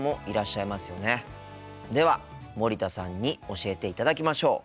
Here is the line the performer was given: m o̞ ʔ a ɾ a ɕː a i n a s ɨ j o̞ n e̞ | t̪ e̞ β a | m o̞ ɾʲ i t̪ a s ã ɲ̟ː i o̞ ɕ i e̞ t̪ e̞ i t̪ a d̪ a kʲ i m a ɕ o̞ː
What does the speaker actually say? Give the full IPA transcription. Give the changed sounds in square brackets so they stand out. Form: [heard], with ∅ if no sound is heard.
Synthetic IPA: m o̞ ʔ [i] ɾ a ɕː a i [m] a s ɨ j o̞ n e̞ | [d̪] e̞ β a | m o̞ ɾʲ i t̪ a s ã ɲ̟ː i o̞ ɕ i e̞ t̪ e̞ i t̪ a d̪ a kʲ i m a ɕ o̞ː